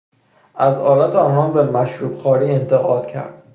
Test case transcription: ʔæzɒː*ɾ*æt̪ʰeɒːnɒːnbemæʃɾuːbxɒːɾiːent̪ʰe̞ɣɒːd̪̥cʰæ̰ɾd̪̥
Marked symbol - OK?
no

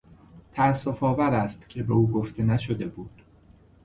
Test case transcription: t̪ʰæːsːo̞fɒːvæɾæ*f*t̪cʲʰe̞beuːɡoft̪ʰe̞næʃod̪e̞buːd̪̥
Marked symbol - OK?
no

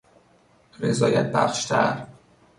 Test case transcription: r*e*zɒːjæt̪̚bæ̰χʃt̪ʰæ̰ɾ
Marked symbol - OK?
yes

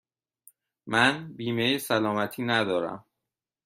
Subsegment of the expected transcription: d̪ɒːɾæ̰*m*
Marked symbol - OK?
yes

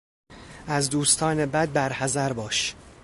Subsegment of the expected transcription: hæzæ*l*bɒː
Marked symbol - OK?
no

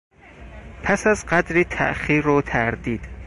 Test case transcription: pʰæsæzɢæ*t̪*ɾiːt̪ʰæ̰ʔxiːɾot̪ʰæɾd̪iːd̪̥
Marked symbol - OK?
no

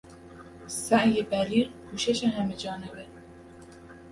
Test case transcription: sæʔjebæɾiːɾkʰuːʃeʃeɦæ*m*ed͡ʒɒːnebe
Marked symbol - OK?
yes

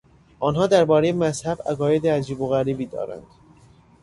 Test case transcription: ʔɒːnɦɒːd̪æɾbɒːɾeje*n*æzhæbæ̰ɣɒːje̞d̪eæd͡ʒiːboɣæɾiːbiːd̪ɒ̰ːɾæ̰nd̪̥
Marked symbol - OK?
no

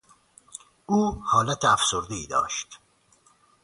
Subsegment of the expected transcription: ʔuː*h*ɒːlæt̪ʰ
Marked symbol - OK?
yes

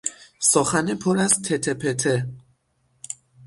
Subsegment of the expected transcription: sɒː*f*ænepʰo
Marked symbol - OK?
no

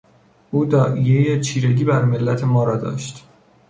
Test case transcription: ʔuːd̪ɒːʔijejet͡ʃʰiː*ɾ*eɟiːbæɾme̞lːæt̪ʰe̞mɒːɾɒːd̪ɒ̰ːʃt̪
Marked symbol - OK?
yes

